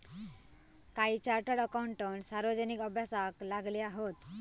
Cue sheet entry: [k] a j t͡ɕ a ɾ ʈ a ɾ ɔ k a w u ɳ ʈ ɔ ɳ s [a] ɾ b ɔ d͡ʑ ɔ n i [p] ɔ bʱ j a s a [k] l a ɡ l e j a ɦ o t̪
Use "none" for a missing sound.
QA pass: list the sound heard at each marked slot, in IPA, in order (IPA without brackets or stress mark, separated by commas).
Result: k, a, k, k